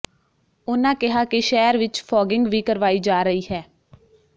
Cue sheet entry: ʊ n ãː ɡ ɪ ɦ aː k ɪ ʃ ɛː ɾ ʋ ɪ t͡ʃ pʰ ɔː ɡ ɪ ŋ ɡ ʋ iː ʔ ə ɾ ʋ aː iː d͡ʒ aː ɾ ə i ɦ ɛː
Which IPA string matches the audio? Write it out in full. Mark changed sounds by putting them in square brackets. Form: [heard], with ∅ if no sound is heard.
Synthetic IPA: ʊ n ãː [k] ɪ ɦ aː k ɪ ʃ ɛː ɾ ʋ ɪ t͡ʃ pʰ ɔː ɡ ɪ ŋ ɡ ʋ iː [k] ə ɾ ʋ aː iː d͡ʒ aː ɾ ə [iː] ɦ ɛː